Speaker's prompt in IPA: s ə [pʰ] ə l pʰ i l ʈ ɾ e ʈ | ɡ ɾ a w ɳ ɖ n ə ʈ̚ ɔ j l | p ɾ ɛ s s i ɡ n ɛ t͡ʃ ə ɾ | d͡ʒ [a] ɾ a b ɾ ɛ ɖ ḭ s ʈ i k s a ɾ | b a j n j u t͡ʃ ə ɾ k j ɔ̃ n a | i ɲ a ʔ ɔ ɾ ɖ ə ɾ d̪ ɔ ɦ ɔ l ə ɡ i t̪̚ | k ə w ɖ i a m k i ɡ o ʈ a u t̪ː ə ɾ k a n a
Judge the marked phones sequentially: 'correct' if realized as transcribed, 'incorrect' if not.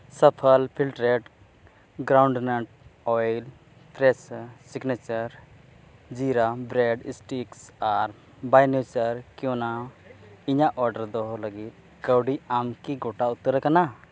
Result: correct, incorrect

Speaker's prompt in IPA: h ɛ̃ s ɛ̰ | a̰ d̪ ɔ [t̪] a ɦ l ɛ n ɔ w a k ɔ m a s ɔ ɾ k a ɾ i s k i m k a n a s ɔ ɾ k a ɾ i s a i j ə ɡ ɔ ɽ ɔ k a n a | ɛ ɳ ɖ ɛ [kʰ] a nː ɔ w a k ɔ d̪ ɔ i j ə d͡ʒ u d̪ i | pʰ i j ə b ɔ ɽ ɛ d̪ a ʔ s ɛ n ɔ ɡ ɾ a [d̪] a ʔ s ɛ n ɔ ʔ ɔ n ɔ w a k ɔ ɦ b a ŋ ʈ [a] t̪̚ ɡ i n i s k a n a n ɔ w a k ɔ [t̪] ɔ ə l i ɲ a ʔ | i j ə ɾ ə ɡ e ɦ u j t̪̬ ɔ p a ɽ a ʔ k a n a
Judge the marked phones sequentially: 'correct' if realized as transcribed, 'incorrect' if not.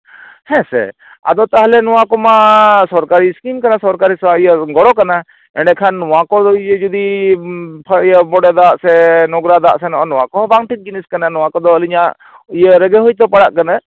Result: correct, correct, correct, incorrect, incorrect

